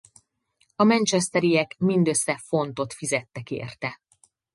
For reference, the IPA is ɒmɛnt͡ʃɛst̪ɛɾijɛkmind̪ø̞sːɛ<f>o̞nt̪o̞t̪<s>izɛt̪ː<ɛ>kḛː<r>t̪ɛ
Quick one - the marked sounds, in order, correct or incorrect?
correct, incorrect, correct, correct

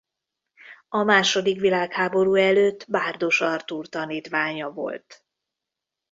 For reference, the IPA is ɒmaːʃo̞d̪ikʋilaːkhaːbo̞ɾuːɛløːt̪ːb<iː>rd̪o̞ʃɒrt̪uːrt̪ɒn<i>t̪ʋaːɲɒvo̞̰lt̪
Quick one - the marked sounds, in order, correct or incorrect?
incorrect, incorrect

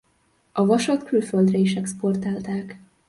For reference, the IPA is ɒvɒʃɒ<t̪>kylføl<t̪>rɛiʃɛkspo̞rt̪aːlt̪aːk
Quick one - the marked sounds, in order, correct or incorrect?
correct, incorrect

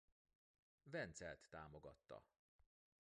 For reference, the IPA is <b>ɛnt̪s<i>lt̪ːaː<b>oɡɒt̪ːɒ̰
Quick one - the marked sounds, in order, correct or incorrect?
incorrect, incorrect, incorrect

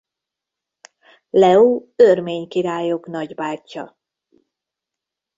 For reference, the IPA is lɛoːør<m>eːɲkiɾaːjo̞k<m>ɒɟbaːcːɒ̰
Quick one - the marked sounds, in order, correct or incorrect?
correct, incorrect

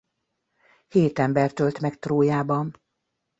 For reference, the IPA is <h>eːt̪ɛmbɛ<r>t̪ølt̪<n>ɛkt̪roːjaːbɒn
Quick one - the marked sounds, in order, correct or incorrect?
correct, correct, incorrect

